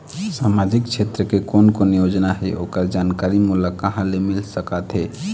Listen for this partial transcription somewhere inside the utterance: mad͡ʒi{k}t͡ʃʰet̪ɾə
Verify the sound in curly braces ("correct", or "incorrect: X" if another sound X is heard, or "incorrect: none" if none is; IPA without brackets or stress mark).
correct